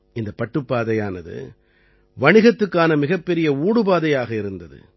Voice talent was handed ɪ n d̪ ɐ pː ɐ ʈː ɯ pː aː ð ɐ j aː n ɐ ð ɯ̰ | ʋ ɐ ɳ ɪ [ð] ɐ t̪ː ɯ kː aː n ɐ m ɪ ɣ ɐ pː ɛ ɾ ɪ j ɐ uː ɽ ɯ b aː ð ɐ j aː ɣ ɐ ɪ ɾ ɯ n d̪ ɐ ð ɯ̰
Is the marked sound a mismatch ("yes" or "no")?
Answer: yes